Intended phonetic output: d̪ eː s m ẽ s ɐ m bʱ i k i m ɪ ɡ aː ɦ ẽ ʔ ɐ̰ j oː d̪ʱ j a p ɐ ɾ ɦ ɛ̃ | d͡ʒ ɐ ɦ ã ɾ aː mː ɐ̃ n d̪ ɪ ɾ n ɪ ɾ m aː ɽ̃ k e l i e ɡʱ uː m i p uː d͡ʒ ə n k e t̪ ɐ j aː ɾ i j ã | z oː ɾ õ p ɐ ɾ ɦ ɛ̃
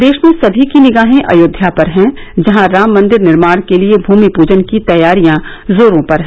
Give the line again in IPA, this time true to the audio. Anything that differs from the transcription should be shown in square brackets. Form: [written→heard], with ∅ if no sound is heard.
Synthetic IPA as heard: d̪ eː [s→ʃ] m ẽ s ɐ [m→∅] bʱ i k i [m→n] ɪ ɡ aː ɦ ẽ ʔ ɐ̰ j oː d̪ʱ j a p ɐ ɾ ɦ ɛ̃ | d͡ʒ ɐ ɦ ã ɾ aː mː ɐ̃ n d̪ ɪ ɾ n ɪ ɾ m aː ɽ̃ k e l i e [ɡʱ→bʱ] uː m i p uː d͡ʒ ə n k [e→i] t̪ ɐ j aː ɾ i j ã | z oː ɾ õ p ɐ ɾ ɦ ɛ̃